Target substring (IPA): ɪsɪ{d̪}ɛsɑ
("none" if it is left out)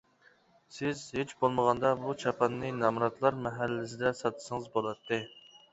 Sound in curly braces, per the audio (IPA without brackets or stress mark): d̪